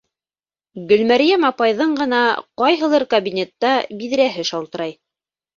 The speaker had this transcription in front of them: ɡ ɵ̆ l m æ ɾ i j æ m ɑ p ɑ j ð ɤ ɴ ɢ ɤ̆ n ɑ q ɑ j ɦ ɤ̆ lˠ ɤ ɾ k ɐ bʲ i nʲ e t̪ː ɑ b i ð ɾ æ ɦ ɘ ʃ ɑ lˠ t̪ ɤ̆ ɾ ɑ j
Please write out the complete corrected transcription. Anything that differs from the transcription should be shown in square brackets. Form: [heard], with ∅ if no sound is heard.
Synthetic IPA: ɡ ɵ̆ l m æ ɾ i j æ m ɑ p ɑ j ð ɤ ɴ ɢ ɤ̆ n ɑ q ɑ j ɦ ɤ̆ lˠ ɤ ɾ k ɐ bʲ i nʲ e t̪ː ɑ b i ð ɾ æ ɦ ɘ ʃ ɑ lˠ t̪ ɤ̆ ɾ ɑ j